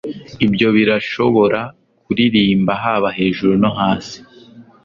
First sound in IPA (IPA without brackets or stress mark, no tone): i